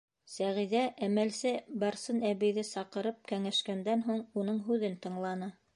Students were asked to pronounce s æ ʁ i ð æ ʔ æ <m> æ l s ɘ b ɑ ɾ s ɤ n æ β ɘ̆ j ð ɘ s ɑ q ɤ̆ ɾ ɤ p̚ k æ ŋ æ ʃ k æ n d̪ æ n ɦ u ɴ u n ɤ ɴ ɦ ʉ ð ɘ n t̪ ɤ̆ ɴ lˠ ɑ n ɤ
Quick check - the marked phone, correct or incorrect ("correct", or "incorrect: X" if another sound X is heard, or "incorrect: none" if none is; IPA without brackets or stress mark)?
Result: correct